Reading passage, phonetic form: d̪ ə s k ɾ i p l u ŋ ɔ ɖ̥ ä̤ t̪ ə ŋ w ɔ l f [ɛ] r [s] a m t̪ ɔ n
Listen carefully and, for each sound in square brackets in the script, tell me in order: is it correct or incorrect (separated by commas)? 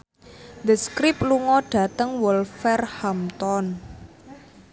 correct, incorrect